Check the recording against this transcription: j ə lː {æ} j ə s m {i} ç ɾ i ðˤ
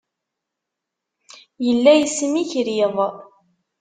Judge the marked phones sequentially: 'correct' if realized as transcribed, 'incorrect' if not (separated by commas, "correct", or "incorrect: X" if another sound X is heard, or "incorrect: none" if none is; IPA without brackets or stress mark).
correct, correct